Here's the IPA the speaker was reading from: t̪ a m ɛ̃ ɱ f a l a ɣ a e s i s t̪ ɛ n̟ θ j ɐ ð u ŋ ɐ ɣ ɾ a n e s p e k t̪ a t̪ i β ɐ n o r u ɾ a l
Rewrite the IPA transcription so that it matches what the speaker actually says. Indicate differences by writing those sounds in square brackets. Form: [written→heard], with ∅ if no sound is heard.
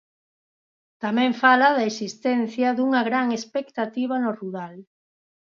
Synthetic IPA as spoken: t̪ a m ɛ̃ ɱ f a l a [ɣ→ð] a e s i s t̪ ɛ n̟ θ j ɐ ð u ŋ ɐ ɣ ɾ a [n→ŋ] e s p e k t̪ a t̪ i β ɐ n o r u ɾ a l

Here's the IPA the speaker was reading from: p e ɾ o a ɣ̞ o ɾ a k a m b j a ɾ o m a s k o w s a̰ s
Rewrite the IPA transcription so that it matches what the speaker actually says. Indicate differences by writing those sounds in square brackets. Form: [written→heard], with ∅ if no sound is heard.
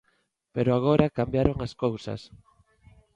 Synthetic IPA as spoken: p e ɾ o a ɣ̞ o ɾ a k a m b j a ɾ o [m→ŋ] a s k o w s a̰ s

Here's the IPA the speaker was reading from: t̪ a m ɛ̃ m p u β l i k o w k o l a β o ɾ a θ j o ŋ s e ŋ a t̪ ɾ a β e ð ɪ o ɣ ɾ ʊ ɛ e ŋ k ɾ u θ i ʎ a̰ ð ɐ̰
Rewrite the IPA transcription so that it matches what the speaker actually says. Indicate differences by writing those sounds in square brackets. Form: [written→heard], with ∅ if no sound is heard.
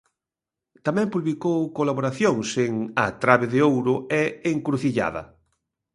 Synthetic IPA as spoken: t̪ a m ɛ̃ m p u β l i k o w k o l a β o ɾ a θ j o ŋ s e ŋ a t̪ ɾ a β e ð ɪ o [ɣ→w] ɾ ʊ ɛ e ŋ k ɾ u θ i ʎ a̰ ð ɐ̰

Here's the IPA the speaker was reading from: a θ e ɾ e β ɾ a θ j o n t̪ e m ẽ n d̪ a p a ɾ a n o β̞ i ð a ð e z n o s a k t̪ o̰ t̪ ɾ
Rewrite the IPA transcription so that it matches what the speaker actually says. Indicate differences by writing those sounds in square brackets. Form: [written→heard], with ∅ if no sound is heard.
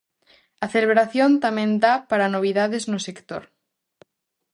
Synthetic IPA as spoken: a θ e [ɾ→l] e β ɾ a θ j o n t̪ [e→a] m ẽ n d̪ a p a ɾ a n o β̞ i ð a ð e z n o s [a→e] k t̪ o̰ [t̪→∅] ɾ

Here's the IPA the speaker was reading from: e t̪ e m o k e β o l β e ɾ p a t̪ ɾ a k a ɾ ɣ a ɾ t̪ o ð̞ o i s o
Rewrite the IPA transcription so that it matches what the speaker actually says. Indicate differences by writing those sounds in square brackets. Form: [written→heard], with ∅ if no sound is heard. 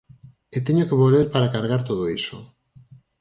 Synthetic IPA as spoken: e t̪ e [m→ɲ] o k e β o l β e ɾ p a [t̪→∅] ɾ a k a ɾ ɣ a ɾ t̪ o ð̞ o i s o

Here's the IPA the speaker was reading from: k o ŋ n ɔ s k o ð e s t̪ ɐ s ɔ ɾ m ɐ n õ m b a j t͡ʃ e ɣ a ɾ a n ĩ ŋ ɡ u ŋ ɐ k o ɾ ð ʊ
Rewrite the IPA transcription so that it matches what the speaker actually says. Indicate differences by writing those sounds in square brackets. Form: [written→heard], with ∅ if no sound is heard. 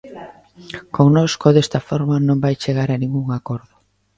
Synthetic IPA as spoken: k o ŋ n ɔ s k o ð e s t̪ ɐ [s→f] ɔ ɾ m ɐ n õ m b a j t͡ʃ e ɣ a ɾ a n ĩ ŋ ɡ u ŋ [ɐ→a] k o ɾ ð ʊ

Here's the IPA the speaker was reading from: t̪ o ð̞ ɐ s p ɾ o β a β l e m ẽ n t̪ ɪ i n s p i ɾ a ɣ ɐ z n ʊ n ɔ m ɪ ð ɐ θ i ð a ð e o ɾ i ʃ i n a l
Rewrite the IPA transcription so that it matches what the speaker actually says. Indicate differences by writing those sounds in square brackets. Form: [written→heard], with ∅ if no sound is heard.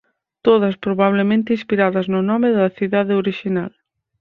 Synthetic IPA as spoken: t̪ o ð̞ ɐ s p ɾ o β a β l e m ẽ n t̪ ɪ i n s p i ɾ a [ɣ→ð] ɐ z n ʊ n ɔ m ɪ ð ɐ θ i ð a ð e o ɾ i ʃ i n a l

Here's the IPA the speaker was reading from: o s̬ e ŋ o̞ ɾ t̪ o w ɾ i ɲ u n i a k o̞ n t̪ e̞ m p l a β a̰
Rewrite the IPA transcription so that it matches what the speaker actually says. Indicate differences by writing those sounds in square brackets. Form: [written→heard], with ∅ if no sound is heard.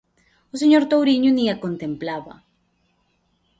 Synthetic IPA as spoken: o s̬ e [ŋ→ɲ] o̞ ɾ t̪ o w ɾ i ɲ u n i a k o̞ n t̪ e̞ m p l a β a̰

